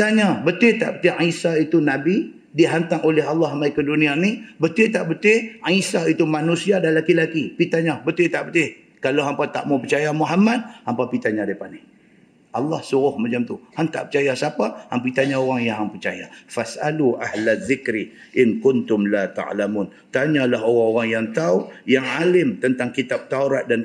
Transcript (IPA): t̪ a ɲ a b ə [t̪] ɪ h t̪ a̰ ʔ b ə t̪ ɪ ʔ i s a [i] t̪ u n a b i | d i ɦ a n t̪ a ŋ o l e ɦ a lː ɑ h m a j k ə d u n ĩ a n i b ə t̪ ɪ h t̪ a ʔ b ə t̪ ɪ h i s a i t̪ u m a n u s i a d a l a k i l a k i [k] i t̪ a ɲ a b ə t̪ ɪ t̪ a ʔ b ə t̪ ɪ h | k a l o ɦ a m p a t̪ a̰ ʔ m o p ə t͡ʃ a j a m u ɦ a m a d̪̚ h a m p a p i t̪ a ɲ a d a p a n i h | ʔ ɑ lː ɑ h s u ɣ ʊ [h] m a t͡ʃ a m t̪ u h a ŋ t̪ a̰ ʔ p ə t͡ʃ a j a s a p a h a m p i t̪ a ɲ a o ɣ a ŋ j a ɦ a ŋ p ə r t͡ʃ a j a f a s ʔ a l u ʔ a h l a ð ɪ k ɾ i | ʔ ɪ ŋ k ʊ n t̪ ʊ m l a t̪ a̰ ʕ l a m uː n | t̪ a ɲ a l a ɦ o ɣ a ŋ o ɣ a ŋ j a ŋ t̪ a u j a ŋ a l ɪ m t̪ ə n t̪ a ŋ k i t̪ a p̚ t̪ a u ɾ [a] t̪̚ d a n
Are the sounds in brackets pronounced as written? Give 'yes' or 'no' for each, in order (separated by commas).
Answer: yes, yes, no, yes, yes